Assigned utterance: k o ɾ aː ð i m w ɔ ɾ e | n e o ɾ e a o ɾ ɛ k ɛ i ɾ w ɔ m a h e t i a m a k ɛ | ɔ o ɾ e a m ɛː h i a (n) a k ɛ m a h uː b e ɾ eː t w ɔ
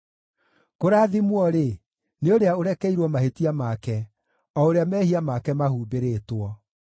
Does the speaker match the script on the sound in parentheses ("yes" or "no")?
no